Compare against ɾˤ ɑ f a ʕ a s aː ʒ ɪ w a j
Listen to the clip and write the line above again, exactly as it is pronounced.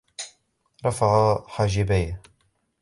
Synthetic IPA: ɾˤ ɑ f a ʕ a ħ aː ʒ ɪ b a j